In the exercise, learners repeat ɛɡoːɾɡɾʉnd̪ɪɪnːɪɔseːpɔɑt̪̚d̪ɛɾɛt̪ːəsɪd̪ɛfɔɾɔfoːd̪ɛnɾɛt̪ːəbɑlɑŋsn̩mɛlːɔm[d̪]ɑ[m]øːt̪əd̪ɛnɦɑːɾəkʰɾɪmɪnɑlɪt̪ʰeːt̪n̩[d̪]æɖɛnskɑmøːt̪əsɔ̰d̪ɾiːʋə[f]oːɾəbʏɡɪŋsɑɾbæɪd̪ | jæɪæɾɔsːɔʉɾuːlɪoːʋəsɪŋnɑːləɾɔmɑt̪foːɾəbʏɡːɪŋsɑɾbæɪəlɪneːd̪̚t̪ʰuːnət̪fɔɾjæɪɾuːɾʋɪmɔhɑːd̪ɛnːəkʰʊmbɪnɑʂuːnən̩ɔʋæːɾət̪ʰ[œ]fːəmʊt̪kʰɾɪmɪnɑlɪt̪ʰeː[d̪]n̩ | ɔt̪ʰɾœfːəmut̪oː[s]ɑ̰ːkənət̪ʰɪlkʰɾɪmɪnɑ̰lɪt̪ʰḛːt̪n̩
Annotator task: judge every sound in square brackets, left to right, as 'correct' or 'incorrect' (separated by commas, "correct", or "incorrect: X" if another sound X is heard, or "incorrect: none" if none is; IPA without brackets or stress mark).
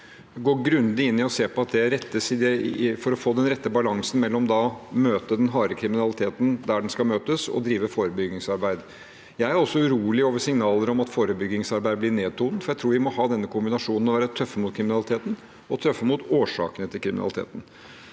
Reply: correct, correct, correct, correct, correct, incorrect: t̪, incorrect: ʂ